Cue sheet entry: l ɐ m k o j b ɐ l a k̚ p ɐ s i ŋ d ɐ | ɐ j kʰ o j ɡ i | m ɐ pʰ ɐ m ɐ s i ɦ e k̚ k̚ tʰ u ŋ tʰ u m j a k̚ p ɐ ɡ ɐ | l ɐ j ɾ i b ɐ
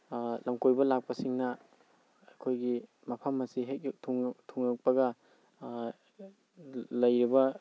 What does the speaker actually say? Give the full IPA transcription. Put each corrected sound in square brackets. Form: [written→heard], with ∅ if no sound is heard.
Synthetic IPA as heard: l ɐ m k o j b ɐ l a k̚ p ɐ s i ŋ [d→n] ɐ | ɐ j kʰ o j ɡ i | m ɐ pʰ ɐ m ɐ s i ɦ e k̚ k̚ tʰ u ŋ tʰ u [m→ŋ] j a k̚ p ɐ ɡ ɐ | l ɐ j ɾ i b ɐ